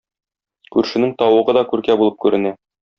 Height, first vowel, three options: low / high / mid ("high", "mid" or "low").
high